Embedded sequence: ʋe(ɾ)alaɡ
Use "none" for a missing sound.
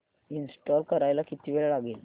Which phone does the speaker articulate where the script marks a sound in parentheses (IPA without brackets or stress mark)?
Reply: ɭ